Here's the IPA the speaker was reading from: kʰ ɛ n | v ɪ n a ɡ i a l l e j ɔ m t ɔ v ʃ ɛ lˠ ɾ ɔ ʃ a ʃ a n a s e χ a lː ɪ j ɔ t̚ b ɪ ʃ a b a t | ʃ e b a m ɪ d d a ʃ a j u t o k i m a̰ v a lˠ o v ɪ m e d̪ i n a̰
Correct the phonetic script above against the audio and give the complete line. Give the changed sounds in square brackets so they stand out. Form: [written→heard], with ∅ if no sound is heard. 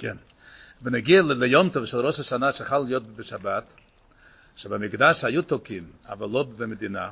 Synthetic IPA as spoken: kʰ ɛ n | v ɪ n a ɡ i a l l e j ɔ m t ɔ v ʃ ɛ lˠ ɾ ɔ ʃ a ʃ a n a [s→ʃ] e χ a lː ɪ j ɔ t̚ b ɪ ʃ a b a t | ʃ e b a m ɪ [d→ɡ] d a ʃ a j u t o k i m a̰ v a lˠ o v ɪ m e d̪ i n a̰